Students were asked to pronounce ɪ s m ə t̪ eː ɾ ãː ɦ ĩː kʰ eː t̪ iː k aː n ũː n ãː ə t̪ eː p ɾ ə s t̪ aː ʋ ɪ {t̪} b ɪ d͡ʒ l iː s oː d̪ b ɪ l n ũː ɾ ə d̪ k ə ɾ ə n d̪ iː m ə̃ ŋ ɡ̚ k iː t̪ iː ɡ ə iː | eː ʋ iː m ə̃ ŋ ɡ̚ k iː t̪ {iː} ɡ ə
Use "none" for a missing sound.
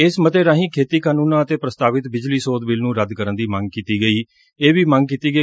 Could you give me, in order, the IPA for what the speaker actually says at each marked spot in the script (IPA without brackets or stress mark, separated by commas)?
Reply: t̪, iː